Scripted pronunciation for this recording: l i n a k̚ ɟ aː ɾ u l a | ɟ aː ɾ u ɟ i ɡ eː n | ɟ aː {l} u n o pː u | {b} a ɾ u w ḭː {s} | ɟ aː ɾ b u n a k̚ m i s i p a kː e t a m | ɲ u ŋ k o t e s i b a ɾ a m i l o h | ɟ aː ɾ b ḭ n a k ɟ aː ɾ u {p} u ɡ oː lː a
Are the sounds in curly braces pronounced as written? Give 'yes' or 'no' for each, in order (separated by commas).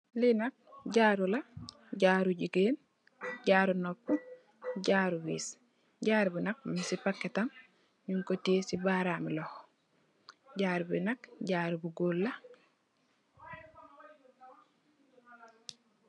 no, no, yes, no